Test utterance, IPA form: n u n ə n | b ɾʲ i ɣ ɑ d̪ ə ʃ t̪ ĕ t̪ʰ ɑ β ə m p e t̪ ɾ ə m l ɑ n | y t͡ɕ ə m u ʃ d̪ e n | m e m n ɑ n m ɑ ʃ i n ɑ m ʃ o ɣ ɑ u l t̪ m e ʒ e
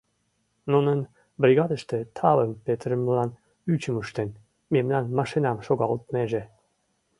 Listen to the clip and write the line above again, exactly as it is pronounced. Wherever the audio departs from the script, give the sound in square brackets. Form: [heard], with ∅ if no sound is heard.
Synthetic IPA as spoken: n u n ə n | b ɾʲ i ɣ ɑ d̪ ə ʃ t̪ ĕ t̪ʰ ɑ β ə m p e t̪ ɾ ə m l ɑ n | y t͡ɕ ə m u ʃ [t̪] e n | m e m n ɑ n m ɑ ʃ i n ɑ m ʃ o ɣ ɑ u l t̪ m e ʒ e

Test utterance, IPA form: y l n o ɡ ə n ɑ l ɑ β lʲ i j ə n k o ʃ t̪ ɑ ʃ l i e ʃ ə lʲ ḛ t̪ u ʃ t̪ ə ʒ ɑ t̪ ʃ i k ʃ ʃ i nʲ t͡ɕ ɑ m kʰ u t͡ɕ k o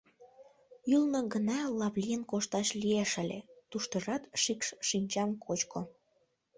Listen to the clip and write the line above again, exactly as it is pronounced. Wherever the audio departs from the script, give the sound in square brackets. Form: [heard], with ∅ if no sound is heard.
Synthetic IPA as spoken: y l n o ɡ ə n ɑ l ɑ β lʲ i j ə n k o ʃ t̪ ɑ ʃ l i e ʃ ə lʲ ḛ t̪ u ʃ t̪ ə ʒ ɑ t̪ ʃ i k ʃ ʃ i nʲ t͡ɕ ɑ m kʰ [o] t͡ɕ k o

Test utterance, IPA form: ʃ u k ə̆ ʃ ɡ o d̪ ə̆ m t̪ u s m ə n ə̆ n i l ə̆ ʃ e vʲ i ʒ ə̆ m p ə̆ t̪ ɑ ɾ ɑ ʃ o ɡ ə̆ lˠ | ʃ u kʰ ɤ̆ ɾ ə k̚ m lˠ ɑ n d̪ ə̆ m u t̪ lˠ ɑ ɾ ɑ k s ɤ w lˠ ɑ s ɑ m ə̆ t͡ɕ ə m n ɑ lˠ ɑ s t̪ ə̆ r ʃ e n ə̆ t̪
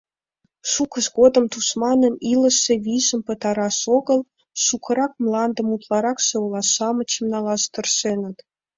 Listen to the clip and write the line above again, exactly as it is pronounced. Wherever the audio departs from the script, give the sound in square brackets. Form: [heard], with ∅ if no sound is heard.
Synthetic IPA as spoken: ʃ u k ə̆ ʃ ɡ o d̪ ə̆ m t̪ u s m [ɑ] n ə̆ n i l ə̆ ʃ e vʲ i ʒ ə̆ m p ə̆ t̪ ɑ ɾ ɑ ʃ o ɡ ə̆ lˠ | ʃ u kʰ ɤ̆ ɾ [ɑ] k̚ m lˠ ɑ n d̪ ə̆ m u t̪ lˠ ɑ ɾ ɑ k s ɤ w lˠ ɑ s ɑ m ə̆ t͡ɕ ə m n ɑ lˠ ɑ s t̪ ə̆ r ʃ e n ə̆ t̪

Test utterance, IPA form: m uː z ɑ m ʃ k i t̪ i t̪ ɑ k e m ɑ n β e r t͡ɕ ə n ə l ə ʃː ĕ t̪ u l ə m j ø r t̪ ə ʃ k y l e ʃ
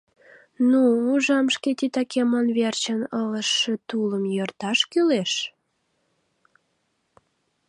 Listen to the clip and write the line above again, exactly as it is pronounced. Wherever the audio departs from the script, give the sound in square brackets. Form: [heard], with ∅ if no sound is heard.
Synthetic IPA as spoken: [n] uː [ʒ] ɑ m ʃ k [e] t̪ i t̪ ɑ k e m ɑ n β e r t͡ɕ ə n ə l ə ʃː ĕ t̪ u l ə m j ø r t̪ [ɑ] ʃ k y l e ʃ

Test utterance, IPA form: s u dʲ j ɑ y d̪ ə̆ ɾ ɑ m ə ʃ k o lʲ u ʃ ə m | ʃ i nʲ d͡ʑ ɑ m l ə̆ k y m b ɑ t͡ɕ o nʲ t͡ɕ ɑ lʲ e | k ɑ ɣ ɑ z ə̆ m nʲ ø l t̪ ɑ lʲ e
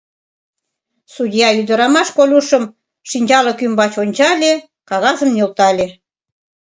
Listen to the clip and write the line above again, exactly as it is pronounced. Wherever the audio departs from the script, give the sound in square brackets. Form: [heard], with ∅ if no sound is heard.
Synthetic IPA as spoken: s u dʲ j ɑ y d̪ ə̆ ɾ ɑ m [ɑ] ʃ k o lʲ u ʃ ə m | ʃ i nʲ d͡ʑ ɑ [∅] l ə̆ k y m b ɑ t͡ɕ o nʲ t͡ɕ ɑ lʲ e | k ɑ ɣ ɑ z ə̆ m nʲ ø l t̪ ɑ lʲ e

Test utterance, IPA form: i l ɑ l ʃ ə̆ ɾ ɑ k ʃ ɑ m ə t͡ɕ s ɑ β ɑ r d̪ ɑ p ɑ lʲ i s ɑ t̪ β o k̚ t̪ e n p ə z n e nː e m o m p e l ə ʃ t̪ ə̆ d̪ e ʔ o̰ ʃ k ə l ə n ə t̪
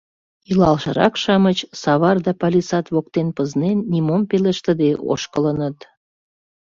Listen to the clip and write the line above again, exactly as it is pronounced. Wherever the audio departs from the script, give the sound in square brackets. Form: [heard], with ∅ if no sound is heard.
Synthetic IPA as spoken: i l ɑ l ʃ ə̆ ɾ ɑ k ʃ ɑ m ə t͡ɕ s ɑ β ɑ r d̪ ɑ p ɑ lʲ i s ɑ t̪ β o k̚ t̪ e n p ə z n e nː [i] m o m p e l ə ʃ t̪ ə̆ d̪ e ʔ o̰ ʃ k ə l ə n ə t̪

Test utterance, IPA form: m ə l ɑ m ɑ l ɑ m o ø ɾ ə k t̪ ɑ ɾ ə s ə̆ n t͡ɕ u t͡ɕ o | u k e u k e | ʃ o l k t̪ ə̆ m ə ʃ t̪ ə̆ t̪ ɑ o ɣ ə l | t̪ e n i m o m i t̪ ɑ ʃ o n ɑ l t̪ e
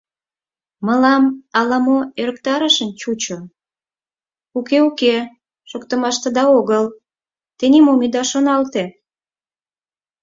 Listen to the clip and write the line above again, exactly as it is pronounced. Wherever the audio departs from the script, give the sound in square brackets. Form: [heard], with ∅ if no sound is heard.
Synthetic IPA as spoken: m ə l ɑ m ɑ l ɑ m o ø ɾ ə k t̪ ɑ ɾ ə [ʃ] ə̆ n t͡ɕ u t͡ɕ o | u k e u k e | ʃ o [∅] k t̪ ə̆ m [ɑ] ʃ t̪ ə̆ [d̪] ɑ o ɣ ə l | t̪ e n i m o m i [d̪] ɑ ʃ o n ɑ l t̪ e

